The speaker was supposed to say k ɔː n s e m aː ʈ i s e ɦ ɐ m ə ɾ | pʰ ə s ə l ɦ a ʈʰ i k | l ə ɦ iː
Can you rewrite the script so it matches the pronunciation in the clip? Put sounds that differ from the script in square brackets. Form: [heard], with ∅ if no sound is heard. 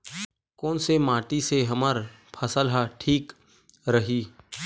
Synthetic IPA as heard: k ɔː n s e m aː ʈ i s e ɦ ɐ m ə ɾ | pʰ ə s ə l ɦ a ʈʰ [iː] k | [ɾ] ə ɦ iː